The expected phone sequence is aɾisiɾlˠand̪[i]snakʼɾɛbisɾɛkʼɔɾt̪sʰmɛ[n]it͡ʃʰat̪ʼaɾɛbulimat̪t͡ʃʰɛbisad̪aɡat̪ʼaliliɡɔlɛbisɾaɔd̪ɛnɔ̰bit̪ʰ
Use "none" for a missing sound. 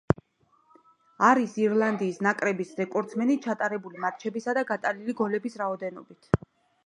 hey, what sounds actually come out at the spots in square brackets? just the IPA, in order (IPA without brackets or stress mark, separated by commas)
iː, n